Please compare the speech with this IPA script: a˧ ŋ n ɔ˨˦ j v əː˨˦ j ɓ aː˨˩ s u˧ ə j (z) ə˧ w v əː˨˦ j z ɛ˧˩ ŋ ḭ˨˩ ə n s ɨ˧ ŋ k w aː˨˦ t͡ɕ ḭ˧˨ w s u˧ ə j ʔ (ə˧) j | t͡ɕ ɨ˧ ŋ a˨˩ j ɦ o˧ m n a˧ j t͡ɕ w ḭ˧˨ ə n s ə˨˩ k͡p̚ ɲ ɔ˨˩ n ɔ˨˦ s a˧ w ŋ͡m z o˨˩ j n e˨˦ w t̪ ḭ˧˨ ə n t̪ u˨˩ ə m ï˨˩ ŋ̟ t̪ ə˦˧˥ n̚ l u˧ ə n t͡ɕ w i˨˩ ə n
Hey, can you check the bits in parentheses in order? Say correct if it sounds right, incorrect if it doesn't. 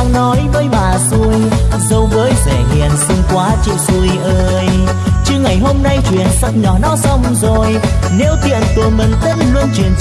correct, incorrect: əː˧

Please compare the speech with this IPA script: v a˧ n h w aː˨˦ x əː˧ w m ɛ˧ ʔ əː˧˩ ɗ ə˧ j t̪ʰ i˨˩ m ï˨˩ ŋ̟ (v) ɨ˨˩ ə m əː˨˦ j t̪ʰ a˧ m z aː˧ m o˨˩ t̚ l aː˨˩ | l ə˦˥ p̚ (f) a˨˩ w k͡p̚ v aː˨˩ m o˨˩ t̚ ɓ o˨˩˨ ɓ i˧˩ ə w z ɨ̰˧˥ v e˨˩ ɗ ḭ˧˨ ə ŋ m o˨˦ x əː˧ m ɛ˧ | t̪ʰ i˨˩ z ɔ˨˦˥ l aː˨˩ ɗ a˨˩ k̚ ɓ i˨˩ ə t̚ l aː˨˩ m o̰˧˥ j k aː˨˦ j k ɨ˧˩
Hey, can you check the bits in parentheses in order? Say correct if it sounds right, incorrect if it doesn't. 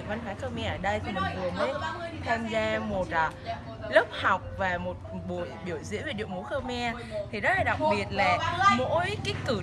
correct, incorrect: h

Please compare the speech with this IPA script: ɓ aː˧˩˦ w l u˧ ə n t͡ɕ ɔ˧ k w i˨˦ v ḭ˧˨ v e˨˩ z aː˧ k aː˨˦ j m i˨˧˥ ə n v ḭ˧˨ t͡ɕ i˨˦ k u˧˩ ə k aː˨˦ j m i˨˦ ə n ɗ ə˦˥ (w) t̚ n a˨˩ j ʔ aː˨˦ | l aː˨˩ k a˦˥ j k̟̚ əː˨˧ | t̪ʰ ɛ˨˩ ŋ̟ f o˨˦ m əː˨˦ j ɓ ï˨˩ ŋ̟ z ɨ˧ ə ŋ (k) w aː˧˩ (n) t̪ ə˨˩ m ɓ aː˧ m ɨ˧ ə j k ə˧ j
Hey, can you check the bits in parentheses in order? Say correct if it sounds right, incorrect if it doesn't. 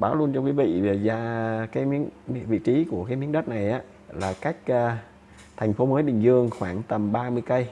incorrect: none, incorrect: x, incorrect: ŋ

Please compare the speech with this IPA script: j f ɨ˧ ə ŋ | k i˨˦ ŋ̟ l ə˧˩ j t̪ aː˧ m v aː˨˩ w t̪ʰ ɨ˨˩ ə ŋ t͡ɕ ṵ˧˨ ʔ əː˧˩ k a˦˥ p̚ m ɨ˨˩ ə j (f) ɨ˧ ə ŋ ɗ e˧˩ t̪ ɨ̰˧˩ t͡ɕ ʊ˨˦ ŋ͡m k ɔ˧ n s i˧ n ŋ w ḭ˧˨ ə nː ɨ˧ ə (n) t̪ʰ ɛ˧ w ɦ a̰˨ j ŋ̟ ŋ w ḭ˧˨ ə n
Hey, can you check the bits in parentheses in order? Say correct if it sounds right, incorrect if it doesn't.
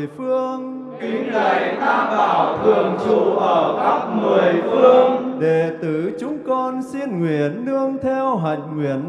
correct, incorrect: ŋ

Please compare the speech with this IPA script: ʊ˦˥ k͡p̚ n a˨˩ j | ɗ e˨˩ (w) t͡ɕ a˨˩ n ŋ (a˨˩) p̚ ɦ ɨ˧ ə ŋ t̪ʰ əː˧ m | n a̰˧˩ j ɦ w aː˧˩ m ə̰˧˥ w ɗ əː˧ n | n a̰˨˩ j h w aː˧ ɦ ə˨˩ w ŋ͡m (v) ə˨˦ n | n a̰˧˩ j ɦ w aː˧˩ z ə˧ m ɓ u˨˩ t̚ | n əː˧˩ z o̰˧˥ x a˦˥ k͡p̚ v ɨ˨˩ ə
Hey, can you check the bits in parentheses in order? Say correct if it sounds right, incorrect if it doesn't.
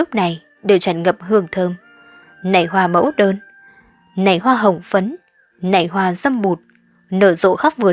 correct, incorrect: ə˨˩, incorrect: f

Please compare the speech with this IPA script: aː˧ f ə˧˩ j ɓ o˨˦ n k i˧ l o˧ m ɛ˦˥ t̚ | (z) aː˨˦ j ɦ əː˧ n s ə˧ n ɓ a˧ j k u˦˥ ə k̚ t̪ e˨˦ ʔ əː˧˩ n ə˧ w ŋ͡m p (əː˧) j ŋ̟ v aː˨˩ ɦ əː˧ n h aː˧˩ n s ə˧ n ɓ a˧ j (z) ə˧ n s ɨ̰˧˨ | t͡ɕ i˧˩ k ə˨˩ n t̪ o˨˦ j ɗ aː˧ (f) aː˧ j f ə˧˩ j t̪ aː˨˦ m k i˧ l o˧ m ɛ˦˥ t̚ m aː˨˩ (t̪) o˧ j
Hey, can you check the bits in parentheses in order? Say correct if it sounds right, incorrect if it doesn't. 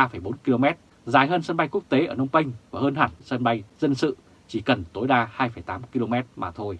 correct, incorrect: ə˧, correct, incorrect: h, incorrect: t̪ʰ

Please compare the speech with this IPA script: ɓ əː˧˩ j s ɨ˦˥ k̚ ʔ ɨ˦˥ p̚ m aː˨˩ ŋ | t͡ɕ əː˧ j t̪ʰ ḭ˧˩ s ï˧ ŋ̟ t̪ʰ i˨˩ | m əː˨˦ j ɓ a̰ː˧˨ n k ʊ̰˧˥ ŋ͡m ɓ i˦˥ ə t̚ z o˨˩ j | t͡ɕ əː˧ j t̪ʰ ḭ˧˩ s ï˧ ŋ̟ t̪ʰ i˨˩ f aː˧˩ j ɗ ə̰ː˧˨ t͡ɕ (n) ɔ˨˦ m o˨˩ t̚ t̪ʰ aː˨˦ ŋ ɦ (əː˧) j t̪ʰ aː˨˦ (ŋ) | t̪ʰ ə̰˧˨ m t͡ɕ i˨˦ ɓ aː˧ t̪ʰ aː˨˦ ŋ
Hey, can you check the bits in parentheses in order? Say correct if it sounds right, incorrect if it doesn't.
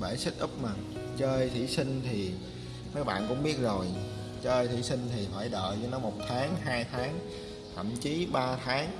correct, incorrect: aː˧, correct

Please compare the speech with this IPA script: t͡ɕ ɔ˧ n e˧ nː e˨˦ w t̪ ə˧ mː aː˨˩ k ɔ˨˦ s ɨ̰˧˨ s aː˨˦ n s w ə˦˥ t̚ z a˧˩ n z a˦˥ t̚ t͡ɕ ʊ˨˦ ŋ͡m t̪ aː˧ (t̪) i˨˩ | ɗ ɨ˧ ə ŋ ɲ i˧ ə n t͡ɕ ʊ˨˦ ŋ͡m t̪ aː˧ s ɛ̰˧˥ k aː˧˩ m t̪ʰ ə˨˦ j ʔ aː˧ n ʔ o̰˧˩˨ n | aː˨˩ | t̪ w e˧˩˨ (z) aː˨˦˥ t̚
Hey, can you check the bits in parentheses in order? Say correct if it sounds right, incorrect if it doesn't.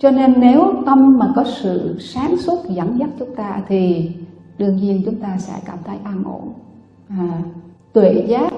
incorrect: t̪ʰ, correct

